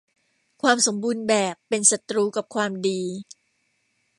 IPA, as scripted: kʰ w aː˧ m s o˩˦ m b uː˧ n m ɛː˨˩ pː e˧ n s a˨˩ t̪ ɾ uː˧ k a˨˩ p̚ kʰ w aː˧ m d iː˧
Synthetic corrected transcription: kʰ w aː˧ m s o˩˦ m b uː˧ n b ɛː˨˩ pː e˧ n s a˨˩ t̪ ɾ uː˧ k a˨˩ p̚ kʰ w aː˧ m d iː˧